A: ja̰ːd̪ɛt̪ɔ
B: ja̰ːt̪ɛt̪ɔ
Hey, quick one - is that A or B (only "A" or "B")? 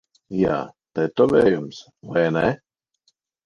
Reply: B